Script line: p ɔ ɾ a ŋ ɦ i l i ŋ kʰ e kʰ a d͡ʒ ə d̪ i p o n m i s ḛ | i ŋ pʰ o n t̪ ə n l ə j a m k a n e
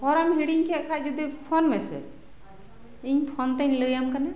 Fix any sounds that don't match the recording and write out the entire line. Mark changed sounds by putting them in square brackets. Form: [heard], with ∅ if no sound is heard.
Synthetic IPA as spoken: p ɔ ɾ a [m] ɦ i [ɽ] i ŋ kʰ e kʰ a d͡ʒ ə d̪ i [pʰ] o n m [e] s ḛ | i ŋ pʰ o n t̪ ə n l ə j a m k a n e